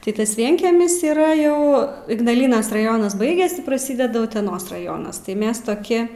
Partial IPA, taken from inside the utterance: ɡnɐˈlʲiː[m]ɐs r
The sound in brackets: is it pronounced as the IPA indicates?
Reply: no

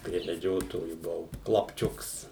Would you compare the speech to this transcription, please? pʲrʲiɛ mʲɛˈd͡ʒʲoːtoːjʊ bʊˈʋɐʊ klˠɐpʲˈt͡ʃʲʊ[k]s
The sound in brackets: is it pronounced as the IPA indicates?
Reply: yes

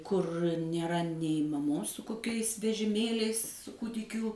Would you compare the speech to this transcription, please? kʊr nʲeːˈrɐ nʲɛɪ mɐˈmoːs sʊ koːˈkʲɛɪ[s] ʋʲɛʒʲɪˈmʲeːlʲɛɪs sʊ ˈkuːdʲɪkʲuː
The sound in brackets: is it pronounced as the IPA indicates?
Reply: yes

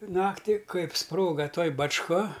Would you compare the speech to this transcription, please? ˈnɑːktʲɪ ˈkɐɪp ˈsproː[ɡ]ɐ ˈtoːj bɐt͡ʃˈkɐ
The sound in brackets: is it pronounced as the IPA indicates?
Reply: yes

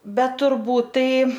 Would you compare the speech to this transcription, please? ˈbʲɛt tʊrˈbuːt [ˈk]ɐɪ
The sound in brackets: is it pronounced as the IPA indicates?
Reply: no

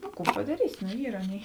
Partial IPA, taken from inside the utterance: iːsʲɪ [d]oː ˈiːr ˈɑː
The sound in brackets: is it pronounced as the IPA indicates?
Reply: no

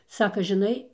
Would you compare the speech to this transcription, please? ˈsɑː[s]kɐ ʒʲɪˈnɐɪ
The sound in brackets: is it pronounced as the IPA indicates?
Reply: no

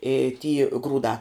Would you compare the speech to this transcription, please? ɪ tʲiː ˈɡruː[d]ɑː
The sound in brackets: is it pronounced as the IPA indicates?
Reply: yes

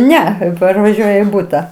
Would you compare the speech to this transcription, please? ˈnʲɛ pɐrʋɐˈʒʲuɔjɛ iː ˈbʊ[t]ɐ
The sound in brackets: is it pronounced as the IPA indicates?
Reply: yes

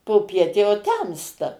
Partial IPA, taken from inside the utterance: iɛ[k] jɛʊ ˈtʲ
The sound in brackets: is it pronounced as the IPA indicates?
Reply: no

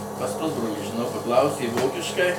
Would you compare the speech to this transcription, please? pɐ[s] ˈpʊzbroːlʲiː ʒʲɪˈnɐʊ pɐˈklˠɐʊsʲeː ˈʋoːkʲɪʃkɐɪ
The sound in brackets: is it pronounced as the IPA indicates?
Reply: yes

